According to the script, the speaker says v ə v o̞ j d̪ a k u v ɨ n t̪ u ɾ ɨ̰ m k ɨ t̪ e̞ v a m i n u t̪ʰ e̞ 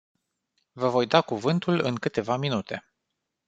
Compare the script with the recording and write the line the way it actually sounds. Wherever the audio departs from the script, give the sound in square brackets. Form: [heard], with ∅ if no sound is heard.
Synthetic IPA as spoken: v ə v o̞ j d̪ a k u v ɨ n t̪ u [l] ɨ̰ [ŋ] k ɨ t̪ e̞ v a m i n u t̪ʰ e̞

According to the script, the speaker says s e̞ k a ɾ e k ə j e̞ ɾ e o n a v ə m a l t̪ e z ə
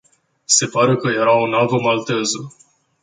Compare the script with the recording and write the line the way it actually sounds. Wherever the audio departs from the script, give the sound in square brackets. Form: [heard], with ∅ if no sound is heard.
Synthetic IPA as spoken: s e̞ [p] a ɾ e k ə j e̞ ɾ [a] o n a v ə m a l t̪ e z ə

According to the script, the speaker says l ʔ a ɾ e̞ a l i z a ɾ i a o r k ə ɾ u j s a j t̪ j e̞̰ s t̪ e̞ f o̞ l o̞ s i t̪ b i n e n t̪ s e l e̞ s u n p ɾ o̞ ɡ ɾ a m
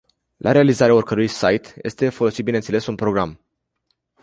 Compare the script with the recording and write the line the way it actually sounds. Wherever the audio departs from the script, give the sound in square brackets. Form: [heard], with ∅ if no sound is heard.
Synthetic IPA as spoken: l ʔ a ɾ e̞ a l i z a ɾ [e] a o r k ə ɾ u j s a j t̪ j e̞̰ s t̪ e̞ f o̞ l o̞ s i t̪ b i n e n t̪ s e l e̞ s u n p ɾ o̞ ɡ ɾ a m

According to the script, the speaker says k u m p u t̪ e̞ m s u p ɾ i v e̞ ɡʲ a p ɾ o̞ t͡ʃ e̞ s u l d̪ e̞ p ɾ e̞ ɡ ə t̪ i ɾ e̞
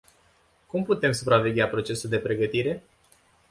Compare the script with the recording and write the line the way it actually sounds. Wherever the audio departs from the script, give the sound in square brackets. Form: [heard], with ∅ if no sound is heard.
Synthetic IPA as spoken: k u m p u t̪ e̞ m s u p ɾ [a] v e̞ ɡʲ a p ɾ o̞ t͡ʃ e̞ s u l d̪ e̞ p ɾ e̞ ɡ ə t̪ i ɾ e̞

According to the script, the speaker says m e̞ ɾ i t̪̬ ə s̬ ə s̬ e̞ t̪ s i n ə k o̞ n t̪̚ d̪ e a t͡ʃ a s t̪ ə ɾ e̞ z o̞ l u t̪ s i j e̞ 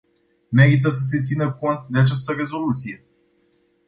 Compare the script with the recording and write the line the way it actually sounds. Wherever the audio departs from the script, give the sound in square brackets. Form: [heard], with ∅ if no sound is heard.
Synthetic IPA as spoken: m e̞ ɾ i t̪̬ ə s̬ ə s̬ e̞ t̪ s i n ə k o̞ n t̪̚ d̪ e a t͡ʃ a s t̪ ə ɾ e̞ z o̞ l u t̪ s i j e̞

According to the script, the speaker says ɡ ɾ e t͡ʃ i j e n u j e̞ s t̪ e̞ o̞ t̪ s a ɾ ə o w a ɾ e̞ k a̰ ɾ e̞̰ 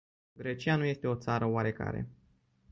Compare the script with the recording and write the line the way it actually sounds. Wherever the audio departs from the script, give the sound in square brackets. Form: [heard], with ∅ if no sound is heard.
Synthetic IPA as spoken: ɡ ɾ e t͡ʃ i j [a] n u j e̞ s t̪ e̞ o̞ t̪ s a ɾ ə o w a ɾ e̞ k a̰ ɾ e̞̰

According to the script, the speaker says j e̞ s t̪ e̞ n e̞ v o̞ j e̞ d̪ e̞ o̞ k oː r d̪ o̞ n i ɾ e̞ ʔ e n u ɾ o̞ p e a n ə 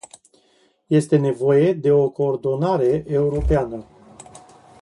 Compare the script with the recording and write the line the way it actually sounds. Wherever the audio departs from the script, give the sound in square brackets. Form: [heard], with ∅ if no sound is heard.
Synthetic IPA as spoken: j e̞ s t̪ e̞ n e̞ v o̞ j e̞ d̪ e̞ o̞ k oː r d̪ o̞ n [a] ɾ e̞ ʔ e [∅] u ɾ o̞ p e a n ə

